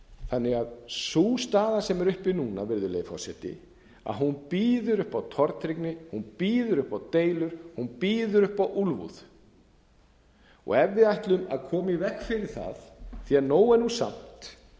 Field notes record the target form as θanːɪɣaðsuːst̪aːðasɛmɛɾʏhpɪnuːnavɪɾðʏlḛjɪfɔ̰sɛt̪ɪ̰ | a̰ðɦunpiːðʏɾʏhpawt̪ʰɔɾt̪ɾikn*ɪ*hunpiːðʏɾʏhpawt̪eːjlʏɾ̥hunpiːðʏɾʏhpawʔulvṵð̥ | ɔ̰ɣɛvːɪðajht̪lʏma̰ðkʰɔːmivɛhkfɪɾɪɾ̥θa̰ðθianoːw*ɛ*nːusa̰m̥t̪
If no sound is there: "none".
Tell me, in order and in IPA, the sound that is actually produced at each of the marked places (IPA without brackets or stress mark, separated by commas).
ɪ, ɛ